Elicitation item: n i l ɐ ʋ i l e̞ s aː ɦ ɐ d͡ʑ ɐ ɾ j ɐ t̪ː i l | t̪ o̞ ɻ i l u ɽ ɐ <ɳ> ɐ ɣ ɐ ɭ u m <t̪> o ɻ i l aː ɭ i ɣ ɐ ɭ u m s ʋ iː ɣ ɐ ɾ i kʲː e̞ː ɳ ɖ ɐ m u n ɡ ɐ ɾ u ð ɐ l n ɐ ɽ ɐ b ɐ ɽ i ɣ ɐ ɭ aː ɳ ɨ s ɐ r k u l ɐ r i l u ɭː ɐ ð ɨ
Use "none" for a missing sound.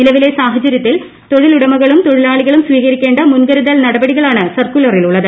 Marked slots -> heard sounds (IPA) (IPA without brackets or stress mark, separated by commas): m, t̪